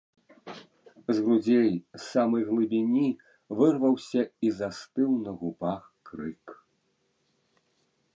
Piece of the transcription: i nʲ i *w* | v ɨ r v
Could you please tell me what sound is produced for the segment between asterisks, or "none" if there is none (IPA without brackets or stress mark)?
none